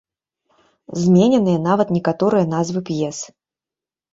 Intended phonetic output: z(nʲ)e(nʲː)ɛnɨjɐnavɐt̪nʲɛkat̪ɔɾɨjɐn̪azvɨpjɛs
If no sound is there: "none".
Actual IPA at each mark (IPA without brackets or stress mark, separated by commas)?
mʲ, nʲ